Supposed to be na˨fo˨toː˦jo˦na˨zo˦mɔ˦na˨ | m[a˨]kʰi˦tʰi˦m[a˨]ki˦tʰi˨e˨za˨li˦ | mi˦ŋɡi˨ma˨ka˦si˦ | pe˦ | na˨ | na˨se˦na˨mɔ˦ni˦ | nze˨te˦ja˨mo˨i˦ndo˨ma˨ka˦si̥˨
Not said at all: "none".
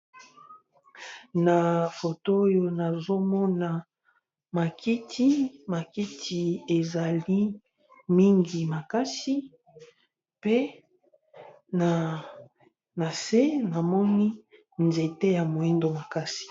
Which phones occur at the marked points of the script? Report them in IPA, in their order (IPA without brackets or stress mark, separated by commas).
a˨, a˨